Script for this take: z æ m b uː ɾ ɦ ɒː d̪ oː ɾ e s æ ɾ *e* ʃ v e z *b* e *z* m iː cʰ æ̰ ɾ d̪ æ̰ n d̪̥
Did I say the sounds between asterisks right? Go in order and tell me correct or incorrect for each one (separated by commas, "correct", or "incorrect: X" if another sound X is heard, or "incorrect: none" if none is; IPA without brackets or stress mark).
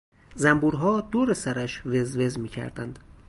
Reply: incorrect: æ, incorrect: v, correct